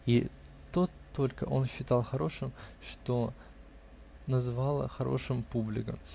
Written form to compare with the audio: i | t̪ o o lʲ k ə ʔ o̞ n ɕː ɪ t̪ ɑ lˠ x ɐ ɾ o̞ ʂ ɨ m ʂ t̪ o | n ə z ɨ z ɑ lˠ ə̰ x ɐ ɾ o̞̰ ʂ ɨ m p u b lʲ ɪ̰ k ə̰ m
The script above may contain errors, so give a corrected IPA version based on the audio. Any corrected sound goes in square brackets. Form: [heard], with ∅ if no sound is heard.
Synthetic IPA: i | t̪ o o lʲ k ə ʔ o̞ n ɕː ɪ t̪ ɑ lˠ x ɐ ɾ o̞ ʂ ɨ m ʂ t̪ o | n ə z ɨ [v] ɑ lˠ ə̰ x ɐ ɾ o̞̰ ʂ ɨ m p u b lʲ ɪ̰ k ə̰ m